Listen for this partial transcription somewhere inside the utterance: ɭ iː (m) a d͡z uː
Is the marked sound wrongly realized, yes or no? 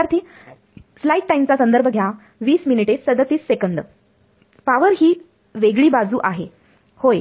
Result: yes